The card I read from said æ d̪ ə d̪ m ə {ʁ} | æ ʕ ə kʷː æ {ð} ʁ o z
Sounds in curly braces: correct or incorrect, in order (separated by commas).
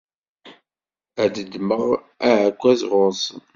correct, incorrect